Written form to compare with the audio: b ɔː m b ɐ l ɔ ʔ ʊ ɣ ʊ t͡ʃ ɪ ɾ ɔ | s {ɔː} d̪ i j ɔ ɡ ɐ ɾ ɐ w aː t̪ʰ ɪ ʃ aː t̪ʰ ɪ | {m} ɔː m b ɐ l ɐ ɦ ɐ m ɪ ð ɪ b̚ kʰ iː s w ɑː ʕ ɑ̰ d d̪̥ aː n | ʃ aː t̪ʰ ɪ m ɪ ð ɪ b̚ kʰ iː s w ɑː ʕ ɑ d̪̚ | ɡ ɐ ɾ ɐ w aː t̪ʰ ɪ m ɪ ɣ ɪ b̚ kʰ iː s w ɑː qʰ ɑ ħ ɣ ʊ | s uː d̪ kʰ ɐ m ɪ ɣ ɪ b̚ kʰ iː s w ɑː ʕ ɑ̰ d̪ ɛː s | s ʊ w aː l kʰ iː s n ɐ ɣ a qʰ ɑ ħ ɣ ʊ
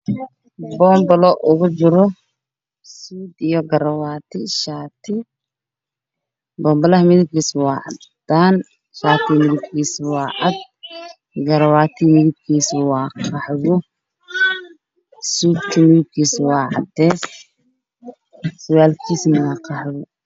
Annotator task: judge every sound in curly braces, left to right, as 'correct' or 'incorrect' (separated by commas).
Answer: incorrect, incorrect